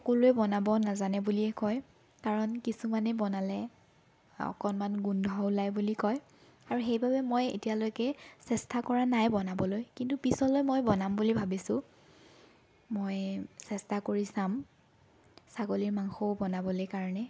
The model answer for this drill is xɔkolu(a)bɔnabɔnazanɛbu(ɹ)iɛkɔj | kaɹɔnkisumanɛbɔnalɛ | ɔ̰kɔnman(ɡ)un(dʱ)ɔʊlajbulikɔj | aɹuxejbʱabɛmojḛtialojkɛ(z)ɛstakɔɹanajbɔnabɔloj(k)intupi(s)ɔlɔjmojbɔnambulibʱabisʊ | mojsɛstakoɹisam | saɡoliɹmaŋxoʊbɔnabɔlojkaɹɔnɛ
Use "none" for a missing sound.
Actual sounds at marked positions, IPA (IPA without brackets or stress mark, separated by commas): ɛ, l, ɡ, dʱ, s, k, s